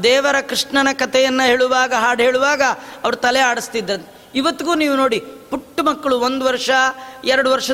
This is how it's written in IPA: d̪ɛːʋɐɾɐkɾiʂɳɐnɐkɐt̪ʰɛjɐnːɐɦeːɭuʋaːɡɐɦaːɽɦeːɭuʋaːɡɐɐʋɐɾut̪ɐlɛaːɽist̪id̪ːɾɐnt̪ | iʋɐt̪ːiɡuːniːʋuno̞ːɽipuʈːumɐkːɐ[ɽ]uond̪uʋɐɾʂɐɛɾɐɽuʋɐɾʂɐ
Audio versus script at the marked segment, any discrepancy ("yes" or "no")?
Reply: yes